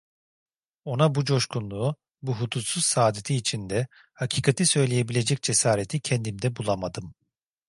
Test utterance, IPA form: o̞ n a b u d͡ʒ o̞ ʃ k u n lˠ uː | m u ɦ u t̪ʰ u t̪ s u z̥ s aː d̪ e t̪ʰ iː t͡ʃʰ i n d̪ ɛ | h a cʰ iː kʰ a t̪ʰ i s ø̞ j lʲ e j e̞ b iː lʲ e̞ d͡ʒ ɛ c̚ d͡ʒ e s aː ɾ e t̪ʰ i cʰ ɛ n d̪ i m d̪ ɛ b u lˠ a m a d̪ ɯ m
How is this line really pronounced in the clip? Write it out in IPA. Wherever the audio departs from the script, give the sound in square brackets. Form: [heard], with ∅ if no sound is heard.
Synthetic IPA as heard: o̞ n a b u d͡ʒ o̞ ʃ k u n lˠ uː | [b] u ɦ u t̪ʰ u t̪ s u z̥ s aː d̪ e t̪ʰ iː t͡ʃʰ i n d̪ ɛ | h a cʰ iː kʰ a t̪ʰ i s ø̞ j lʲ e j e̞ b [i] lʲ e̞ d͡ʒ ɛ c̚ d͡ʒ e s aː ɾ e t̪ʰ i cʰ ɛ n d̪ i m d̪ ɛ b u lˠ a m a d̪ ɯ m